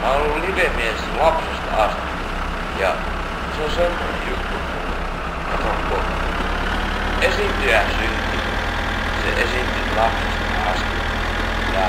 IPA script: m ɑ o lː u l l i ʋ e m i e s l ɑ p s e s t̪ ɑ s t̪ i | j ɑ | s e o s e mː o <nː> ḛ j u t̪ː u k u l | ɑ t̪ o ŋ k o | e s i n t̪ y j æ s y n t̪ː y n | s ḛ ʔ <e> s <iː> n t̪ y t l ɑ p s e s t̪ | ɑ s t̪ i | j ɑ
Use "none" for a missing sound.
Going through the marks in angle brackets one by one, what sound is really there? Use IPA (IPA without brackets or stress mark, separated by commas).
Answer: n, e, i